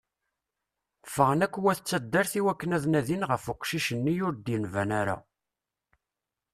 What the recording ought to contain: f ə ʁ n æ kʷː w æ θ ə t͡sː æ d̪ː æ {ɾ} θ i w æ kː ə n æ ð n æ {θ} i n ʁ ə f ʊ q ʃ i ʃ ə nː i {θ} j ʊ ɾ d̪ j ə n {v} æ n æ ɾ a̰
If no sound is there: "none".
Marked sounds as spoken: ɾ, ð, none, v

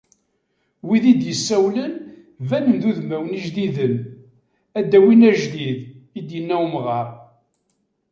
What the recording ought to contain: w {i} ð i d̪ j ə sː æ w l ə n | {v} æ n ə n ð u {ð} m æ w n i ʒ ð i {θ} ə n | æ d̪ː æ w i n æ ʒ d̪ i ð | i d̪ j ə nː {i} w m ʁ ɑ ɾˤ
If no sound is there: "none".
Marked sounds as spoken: i, v, ð, ð, æ

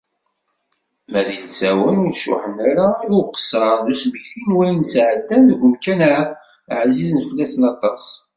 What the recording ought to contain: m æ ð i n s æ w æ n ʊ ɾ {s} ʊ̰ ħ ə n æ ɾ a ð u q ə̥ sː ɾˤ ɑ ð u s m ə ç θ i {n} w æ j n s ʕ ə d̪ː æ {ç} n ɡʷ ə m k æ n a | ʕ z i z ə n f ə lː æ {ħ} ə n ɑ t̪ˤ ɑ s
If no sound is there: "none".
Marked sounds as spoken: ʃ, n, none, s

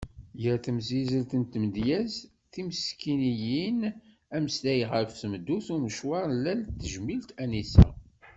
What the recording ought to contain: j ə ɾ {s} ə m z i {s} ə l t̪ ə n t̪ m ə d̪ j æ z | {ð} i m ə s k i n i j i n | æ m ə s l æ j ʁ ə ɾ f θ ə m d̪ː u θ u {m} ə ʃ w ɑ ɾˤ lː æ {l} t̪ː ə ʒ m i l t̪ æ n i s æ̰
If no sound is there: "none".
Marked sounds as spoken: θ, z, θ, m, l

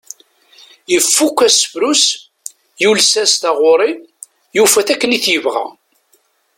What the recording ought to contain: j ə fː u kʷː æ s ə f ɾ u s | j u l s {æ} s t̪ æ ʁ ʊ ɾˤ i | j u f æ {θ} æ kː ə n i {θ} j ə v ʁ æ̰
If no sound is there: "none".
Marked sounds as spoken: æ, θ, θ

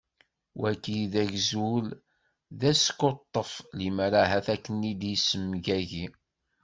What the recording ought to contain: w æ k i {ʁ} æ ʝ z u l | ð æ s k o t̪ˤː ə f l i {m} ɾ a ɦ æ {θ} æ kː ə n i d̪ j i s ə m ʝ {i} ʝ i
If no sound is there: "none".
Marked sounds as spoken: ð, m, θ, æ

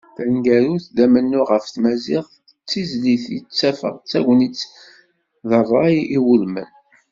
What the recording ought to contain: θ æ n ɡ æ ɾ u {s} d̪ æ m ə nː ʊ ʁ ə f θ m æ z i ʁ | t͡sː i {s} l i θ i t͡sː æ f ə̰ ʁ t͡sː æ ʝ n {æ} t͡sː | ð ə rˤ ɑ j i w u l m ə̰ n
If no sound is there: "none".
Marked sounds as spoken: θ, z, i

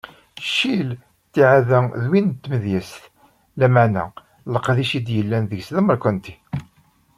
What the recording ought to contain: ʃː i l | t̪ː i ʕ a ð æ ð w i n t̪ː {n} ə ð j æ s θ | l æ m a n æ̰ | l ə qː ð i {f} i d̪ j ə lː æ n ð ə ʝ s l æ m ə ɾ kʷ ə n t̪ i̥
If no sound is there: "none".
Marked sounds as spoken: m, ʃ

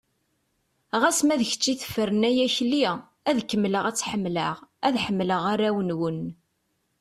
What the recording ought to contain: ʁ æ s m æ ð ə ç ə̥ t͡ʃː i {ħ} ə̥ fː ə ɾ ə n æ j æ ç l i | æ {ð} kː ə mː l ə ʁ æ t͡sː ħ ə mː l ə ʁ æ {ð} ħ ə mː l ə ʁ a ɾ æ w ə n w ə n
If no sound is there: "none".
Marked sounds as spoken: θ, ð, ð

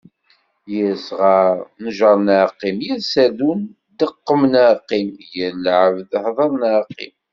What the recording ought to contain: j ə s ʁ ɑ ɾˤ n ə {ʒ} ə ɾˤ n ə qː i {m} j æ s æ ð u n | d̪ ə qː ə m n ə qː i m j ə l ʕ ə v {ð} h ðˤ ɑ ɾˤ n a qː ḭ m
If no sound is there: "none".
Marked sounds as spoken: ʒ, m, ð

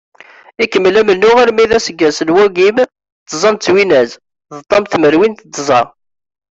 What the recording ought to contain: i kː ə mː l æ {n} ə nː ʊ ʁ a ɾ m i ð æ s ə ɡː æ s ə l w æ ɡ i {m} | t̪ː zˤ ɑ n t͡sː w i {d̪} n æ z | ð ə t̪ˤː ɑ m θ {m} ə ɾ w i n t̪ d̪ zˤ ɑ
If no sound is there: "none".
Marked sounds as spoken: m, m, none, m

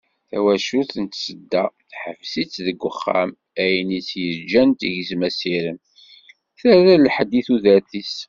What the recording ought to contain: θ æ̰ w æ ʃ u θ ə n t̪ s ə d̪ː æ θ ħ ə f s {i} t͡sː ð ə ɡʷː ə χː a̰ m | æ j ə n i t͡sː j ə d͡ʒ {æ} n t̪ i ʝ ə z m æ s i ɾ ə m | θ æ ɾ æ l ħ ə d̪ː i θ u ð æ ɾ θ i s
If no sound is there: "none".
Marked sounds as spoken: i, æ

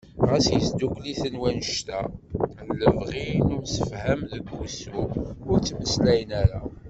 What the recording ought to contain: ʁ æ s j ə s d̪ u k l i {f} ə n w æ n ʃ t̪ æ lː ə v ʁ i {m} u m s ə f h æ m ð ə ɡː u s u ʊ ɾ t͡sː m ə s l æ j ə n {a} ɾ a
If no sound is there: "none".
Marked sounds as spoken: θ, n, æ

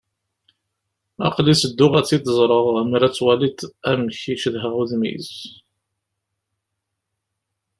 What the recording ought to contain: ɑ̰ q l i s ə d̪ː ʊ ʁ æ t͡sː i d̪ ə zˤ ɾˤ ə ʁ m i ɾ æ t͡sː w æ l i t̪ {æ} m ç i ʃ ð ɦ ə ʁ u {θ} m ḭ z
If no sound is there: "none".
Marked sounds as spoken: æ, ð

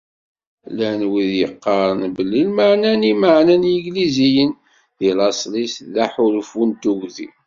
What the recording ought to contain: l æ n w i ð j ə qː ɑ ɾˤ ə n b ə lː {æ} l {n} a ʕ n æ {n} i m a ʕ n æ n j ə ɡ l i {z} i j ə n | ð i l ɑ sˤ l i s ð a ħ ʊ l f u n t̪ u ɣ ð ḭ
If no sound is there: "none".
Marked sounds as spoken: i, m, n, z

